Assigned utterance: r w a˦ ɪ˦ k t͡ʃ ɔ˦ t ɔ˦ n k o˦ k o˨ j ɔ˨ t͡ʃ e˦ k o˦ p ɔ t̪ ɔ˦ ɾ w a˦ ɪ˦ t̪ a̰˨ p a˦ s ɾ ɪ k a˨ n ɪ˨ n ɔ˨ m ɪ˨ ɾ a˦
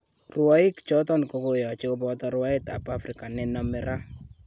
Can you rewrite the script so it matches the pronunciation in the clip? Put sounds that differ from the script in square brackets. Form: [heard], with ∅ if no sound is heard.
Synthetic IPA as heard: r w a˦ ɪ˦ k t͡ʃ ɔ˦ t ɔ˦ n k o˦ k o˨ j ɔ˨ t͡ʃ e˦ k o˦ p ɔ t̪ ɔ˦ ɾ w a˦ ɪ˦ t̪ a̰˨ p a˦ [f] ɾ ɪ k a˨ n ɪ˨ n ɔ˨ m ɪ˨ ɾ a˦